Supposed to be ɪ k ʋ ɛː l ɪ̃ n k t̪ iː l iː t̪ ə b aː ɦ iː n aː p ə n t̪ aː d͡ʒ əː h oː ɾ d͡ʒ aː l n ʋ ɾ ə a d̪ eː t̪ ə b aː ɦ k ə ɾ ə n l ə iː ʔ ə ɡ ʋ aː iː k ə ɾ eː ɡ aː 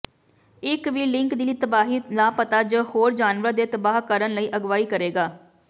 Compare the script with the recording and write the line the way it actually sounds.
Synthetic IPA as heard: ɪ k ʋ iː l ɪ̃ ŋ k d̪ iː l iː t̪ ə b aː ɦ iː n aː p ə t̪ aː d͡ʒ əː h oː ɾ d͡ʒ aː n ʋ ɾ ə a d̪ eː t̪ ə b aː ɦ k ə ɾ ə n l ə iː ʔ ə ɡ ʋ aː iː k ə ɾ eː ɡ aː